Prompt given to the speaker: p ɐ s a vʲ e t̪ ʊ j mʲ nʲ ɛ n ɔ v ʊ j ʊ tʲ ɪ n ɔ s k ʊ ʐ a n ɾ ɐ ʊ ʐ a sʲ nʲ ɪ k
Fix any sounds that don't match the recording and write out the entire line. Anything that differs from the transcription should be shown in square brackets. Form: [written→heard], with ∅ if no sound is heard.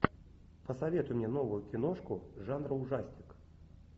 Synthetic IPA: p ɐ s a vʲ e t̪ ʊ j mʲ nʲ ɛ n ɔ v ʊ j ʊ [tʲ→kʲ] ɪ n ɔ [s→ʂ] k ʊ ʐ a n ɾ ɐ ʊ ʐ a sʲ nʲ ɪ k